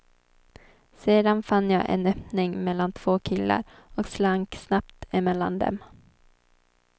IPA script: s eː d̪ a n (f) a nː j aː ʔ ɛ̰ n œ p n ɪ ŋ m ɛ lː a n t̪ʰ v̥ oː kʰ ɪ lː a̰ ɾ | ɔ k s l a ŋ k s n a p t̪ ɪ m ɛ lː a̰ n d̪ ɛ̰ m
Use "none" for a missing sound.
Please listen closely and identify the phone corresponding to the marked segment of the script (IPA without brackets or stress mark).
f